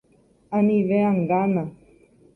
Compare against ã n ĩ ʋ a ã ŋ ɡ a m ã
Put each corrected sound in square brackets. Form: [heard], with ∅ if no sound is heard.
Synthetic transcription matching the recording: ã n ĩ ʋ [e] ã ŋ ɡ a [n] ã